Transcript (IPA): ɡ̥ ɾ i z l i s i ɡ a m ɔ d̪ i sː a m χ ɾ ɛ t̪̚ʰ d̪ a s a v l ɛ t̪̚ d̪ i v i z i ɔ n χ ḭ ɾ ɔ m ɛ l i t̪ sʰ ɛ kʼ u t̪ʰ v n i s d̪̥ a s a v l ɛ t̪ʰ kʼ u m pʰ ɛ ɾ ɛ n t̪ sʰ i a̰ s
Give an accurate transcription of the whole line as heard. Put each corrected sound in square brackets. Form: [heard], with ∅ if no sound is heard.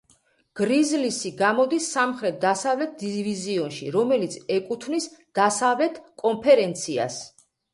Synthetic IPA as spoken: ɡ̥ ɾ i z l i s i ɡ a m ɔ d̪ i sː a m χ ɾ ɛ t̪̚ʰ d̪ a s a v l ɛ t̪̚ d̪ i v i z i ɔ n [ʃ] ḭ ɾ ɔ m ɛ l i t̪ sʰ ɛ kʼ u t̪ʰ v n i s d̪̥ a s a v l ɛ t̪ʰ kʼ [ɔ] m pʰ ɛ ɾ ɛ n t̪ sʰ i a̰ s